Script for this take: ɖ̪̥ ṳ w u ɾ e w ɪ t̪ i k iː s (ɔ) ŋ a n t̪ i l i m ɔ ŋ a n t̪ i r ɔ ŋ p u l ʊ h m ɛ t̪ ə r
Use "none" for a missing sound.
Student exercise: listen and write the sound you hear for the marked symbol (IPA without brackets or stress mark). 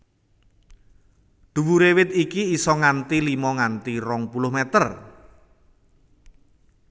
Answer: ɔ